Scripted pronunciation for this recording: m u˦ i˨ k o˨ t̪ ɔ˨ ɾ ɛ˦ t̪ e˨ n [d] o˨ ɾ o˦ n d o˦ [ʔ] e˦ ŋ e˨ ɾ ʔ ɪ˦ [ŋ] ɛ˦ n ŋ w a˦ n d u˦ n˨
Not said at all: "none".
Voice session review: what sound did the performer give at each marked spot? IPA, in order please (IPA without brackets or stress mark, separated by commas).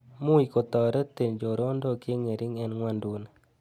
d͡ʒ, k, ŋ